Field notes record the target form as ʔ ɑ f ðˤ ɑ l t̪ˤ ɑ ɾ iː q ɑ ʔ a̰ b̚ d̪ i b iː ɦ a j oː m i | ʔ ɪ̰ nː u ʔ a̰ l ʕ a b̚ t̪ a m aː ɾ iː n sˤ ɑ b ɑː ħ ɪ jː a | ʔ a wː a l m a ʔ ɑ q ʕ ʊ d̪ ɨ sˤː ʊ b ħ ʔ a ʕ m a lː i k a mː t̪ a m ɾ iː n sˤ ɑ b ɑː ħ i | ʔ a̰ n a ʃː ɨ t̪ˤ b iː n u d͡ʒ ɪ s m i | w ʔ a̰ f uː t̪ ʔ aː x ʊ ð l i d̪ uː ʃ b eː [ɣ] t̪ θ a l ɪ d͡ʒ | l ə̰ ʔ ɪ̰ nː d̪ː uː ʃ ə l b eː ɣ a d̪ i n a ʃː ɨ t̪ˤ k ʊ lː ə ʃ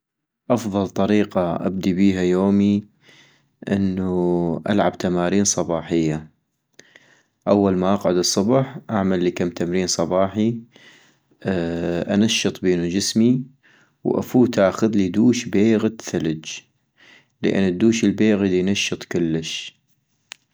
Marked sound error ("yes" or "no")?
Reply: no